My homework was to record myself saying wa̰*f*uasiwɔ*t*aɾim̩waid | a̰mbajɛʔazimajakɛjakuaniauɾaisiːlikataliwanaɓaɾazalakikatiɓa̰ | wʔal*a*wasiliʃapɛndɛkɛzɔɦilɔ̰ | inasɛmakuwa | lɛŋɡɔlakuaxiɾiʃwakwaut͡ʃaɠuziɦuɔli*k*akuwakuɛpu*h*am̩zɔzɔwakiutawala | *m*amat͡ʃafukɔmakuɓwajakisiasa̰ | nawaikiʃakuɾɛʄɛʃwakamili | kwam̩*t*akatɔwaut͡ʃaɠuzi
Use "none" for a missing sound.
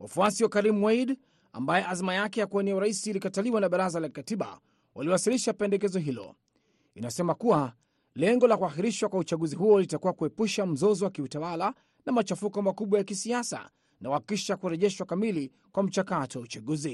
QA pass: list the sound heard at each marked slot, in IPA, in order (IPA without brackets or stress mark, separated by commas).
f, k, i, t, ʃ, n, t͡ʃ